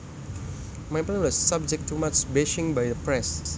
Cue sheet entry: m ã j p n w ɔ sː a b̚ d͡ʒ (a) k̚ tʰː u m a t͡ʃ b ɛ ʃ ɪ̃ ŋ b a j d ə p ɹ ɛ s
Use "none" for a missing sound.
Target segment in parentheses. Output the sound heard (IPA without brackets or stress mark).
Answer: ɛ